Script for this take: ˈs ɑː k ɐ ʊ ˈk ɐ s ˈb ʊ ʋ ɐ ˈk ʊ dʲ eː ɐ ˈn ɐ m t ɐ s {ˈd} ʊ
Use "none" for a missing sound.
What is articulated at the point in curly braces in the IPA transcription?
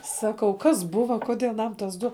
d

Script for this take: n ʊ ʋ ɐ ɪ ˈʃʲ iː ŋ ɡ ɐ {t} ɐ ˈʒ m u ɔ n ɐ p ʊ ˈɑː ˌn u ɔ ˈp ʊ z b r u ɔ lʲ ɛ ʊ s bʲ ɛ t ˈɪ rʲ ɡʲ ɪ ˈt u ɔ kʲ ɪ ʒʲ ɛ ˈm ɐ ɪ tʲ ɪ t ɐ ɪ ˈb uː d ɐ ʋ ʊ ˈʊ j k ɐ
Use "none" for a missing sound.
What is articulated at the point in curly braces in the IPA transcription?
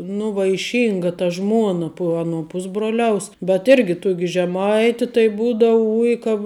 t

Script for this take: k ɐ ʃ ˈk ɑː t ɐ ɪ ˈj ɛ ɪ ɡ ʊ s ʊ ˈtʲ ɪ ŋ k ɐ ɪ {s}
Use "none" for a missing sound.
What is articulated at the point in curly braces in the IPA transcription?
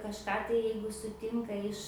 ʃ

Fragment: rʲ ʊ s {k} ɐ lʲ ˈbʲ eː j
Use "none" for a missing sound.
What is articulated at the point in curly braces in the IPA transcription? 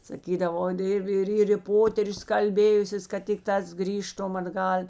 k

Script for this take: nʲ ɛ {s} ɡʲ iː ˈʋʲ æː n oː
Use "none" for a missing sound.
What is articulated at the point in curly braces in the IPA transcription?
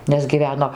s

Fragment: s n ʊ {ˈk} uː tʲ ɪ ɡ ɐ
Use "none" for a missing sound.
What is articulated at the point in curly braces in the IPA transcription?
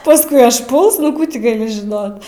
k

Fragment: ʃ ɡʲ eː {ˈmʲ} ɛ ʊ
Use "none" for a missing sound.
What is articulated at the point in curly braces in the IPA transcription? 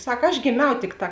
mʲ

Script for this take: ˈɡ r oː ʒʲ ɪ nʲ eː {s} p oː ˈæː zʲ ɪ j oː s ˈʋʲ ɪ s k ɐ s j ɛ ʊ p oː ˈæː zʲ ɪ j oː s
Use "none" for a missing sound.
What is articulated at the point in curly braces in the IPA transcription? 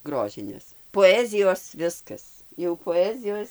s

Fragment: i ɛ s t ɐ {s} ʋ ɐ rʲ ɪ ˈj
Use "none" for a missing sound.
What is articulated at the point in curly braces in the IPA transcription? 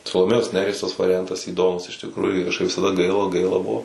s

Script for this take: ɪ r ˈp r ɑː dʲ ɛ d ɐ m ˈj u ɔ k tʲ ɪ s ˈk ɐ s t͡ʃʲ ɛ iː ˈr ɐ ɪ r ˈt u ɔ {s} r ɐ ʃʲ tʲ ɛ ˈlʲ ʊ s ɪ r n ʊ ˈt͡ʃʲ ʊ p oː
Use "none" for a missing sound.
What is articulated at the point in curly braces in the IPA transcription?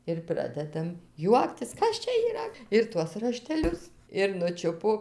s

